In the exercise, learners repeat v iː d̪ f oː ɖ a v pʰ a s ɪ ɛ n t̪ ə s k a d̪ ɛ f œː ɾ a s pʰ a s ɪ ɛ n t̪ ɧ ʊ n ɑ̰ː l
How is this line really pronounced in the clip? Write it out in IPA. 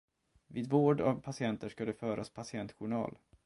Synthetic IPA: v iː d̪ v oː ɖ a v pʰ a s ɪ ɛ n t̪ ə ʂ k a d̪ ɛ f œː ɾ a s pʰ a s ɪ ɛ n t̪ ɧ ʊ ɳ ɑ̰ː l